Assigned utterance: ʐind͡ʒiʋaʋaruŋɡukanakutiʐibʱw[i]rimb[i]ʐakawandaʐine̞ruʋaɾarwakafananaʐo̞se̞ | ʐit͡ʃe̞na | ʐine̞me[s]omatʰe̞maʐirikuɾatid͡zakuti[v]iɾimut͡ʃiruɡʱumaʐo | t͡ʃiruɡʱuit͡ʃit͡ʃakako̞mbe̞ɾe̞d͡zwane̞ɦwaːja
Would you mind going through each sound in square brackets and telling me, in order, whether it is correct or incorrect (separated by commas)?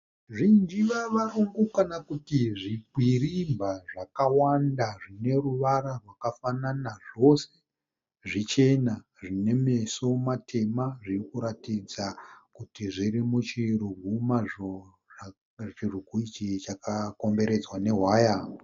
correct, incorrect, correct, incorrect